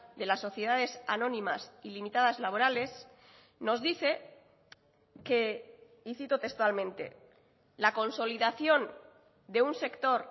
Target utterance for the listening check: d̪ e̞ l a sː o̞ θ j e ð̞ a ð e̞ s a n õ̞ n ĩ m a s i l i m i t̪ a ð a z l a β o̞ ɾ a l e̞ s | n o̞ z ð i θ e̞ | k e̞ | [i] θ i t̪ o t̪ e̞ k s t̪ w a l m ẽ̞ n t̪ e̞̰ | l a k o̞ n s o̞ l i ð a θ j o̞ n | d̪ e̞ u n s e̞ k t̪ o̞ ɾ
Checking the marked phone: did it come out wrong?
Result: no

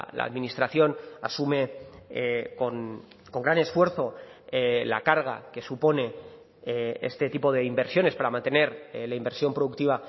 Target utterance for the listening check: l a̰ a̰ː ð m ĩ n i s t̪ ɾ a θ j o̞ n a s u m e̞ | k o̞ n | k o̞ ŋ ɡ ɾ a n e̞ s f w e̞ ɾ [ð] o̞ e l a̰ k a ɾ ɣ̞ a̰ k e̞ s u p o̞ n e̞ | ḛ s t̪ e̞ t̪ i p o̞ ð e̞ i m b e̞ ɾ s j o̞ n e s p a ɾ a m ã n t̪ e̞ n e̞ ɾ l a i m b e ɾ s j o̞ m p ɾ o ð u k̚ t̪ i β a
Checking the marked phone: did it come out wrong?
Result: yes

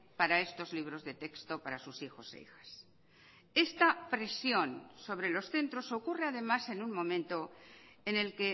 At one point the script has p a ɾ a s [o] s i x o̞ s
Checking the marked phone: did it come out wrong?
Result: yes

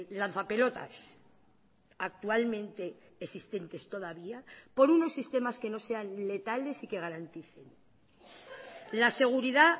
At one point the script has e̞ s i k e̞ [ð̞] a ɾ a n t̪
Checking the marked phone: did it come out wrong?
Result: yes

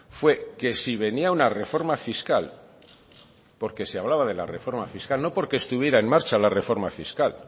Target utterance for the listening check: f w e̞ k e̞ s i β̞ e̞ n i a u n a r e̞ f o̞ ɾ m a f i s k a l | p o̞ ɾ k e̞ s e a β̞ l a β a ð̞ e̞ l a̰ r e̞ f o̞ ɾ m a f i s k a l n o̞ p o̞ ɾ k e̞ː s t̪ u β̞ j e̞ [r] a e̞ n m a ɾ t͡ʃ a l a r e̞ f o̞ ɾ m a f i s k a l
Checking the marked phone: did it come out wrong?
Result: yes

